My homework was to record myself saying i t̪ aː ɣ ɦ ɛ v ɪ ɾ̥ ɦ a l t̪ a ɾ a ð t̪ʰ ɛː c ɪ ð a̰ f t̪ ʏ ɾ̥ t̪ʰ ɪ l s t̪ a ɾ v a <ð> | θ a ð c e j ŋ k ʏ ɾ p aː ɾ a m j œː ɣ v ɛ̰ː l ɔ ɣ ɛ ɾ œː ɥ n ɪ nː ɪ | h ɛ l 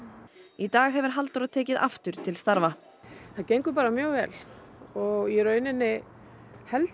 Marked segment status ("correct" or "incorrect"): incorrect